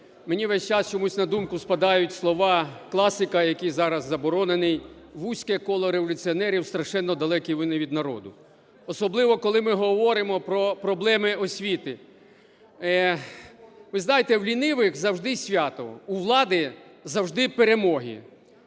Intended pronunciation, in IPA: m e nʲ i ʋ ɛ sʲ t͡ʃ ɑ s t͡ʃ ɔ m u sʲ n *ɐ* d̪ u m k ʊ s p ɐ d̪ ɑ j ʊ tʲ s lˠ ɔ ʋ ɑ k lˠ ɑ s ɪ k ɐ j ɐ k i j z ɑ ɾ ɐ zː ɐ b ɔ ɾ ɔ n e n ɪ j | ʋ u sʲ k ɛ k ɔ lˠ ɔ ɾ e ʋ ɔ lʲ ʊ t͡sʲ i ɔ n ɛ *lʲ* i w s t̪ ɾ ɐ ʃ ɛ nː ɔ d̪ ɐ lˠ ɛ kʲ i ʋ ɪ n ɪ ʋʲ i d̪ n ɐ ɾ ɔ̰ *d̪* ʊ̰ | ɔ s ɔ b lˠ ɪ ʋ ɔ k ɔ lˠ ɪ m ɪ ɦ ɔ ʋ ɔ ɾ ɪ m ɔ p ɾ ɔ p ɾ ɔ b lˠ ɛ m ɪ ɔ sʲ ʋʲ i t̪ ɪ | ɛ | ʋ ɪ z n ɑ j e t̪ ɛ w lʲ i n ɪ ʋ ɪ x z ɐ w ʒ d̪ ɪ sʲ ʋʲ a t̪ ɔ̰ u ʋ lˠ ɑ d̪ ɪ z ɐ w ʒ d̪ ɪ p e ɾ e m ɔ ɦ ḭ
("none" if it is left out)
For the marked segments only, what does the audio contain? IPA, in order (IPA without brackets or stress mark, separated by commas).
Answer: ɐ, ɾʲ, d̪